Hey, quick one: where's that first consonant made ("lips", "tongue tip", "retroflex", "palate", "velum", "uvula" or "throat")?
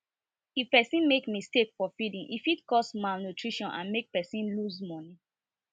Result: lips